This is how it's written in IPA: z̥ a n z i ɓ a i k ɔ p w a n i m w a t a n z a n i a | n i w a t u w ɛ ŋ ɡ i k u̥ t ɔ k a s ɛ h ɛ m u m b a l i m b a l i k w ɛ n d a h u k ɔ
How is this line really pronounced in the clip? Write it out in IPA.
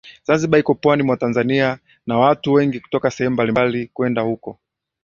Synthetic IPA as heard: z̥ a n z i ɓ a i k ɔ p w a n i m w a t a n z a n i a | n a w a t u w ɛ ŋ ɡ i k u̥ t ɔ k a s ɛ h ɛ m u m b a l i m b a l i k w ɛ n d a h u k ɔ